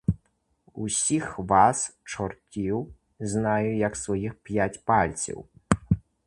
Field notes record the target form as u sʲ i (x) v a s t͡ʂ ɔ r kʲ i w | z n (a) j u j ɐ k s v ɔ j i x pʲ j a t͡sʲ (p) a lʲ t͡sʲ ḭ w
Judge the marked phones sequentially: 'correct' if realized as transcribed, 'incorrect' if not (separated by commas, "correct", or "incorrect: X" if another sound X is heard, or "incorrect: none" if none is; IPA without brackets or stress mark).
correct, correct, correct